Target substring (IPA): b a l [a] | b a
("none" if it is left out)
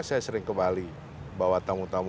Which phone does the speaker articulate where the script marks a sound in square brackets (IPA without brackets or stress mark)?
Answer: i